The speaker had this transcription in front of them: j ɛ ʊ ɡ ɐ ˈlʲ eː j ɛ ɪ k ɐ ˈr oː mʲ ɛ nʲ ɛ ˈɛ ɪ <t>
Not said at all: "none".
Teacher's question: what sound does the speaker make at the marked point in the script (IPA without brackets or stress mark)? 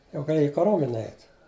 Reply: t